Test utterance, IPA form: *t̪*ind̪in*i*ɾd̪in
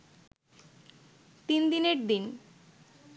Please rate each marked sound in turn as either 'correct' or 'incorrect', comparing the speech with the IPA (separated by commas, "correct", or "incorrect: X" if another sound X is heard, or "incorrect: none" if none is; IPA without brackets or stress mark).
correct, incorrect: e